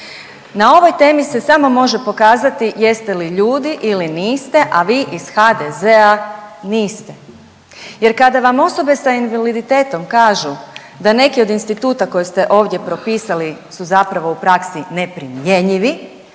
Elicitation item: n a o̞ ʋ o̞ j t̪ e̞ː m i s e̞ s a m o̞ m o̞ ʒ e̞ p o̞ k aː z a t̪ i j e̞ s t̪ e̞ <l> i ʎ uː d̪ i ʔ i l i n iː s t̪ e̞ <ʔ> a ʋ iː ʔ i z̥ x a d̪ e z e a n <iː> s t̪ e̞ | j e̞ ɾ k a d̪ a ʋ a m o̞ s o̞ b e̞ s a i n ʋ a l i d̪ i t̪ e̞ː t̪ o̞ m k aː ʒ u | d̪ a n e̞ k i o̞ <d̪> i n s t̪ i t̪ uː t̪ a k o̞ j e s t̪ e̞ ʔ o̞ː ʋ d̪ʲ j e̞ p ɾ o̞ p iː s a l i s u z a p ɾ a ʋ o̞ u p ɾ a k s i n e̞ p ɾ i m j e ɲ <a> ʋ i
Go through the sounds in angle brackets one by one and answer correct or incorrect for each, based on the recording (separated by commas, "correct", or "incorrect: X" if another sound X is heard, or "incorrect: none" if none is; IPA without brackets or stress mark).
correct, correct, correct, correct, incorrect: i